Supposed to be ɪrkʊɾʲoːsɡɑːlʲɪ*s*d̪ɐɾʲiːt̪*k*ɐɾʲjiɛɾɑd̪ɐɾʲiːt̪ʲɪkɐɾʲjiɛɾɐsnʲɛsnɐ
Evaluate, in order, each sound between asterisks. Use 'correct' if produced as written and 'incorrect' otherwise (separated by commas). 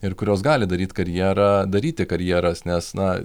incorrect, correct